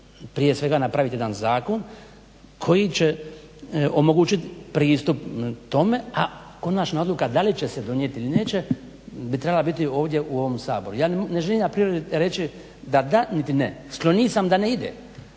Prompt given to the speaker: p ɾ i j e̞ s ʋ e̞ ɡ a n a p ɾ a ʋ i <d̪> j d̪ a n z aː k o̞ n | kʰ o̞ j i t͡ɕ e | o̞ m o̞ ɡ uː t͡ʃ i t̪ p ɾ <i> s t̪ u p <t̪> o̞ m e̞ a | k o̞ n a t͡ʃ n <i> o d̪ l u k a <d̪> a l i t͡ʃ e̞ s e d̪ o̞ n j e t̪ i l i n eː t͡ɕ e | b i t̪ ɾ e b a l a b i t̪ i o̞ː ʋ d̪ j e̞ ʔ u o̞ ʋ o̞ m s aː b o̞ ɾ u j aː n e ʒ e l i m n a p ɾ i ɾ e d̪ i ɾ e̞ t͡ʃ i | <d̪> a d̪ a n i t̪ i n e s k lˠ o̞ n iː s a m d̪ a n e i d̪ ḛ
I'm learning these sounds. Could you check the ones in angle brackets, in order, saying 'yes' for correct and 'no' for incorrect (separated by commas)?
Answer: no, no, yes, no, yes, yes